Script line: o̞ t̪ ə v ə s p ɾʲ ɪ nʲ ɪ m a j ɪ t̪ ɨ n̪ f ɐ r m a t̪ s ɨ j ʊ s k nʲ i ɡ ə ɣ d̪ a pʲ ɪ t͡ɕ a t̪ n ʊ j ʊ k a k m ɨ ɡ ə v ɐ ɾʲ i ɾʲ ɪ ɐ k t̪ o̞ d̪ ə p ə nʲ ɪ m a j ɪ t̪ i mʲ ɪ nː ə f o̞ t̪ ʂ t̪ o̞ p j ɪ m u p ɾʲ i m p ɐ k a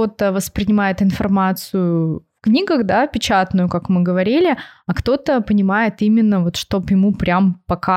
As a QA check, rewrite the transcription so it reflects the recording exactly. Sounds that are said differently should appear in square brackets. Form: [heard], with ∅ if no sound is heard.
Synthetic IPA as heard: o̞ t̪ ə v ə s p ɾʲ ɪ nʲ ɪ m a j ɪ t̪ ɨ n̪ f ɐ r m a t̪ s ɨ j ʊ [f] k nʲ i ɡ ə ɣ d̪ a pʲ ɪ t͡ɕ a t̪ n ʊ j ʊ k a k m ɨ ɡ ə v ɐ ɾʲ i [lʲ] ɪ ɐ k t̪ o̞ [t̪] ə p ə nʲ ɪ m a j ɪ t̪ i mʲ ɪ nː ə [v] o̞ t̪ ʂ t̪ o̞ p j ɪ m u p ɾʲ [a] m p ɐ k a